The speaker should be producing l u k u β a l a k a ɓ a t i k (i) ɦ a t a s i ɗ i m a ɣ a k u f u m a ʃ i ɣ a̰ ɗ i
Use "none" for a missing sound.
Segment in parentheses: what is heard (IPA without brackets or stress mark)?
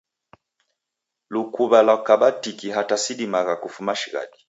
i